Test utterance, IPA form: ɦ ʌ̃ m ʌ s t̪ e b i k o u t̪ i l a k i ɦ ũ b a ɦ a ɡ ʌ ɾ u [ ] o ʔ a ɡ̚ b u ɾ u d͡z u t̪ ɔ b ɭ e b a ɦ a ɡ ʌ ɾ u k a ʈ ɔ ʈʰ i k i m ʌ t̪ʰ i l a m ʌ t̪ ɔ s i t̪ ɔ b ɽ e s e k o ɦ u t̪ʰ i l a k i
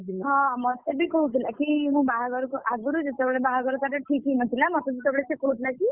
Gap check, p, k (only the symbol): k